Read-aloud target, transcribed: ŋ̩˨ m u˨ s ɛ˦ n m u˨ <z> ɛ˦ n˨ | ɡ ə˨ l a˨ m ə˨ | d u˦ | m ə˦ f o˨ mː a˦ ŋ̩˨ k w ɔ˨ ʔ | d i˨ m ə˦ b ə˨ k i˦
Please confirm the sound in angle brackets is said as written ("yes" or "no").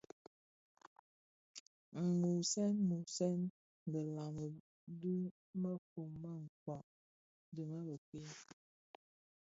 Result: no